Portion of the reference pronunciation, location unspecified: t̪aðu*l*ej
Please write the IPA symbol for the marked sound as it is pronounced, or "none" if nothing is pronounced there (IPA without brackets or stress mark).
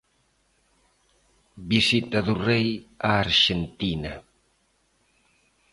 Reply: r